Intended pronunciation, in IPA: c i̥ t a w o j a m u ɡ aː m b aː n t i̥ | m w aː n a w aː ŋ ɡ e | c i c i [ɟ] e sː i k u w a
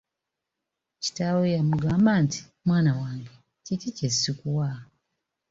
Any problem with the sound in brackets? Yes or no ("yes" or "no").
yes